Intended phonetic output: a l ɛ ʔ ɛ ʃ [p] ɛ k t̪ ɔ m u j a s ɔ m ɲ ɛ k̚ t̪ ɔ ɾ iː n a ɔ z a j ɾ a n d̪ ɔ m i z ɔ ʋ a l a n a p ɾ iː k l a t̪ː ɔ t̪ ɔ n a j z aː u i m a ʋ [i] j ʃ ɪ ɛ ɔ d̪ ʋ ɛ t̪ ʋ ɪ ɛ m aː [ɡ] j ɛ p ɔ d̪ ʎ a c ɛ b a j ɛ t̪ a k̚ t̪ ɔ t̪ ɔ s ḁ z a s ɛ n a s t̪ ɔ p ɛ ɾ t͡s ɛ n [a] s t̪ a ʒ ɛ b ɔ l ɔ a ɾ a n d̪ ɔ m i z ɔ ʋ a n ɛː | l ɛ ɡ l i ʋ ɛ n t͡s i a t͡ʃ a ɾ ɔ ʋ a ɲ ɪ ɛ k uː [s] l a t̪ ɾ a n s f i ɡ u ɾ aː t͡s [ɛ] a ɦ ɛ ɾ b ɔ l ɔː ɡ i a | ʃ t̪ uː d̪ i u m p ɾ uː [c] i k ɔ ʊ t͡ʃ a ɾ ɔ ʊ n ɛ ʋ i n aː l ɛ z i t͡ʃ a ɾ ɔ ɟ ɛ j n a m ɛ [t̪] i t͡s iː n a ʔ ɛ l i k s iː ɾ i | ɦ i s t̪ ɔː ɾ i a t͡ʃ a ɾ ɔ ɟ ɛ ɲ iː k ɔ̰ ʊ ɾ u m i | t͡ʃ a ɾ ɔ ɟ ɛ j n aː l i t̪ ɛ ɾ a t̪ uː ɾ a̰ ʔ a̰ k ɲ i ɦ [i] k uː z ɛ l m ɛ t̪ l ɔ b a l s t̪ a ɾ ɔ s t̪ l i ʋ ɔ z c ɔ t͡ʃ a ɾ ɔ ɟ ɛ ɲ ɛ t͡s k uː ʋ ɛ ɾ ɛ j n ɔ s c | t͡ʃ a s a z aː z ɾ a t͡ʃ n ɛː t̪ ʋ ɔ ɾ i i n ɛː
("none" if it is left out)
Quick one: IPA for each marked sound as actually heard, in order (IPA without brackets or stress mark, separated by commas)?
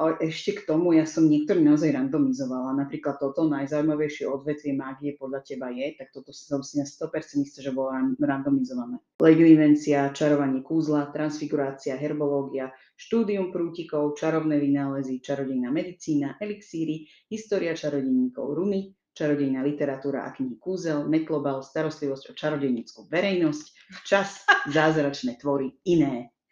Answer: c, ɛ, ɡ, i, z, i, c, d̪, i